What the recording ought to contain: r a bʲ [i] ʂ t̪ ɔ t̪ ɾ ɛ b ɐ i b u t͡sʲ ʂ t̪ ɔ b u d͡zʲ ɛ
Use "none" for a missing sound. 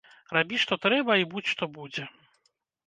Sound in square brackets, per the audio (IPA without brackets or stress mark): i